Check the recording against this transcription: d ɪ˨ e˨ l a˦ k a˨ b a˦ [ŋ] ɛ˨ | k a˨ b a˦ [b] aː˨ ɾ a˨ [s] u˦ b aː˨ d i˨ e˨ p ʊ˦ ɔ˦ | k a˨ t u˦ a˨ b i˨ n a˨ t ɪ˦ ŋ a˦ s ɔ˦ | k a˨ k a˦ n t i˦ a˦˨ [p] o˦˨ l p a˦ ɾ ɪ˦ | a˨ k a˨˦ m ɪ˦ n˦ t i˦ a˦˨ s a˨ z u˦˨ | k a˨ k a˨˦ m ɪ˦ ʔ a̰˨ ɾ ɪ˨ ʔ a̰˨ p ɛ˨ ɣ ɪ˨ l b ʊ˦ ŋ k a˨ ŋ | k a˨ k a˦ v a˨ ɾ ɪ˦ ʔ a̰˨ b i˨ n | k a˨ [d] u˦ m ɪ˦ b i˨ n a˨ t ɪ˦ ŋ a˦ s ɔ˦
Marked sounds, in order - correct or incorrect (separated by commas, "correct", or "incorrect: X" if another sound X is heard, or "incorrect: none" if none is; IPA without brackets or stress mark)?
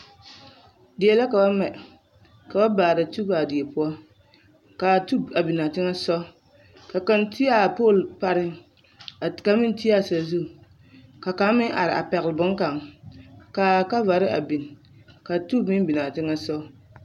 incorrect: m, correct, incorrect: t, correct, incorrect: t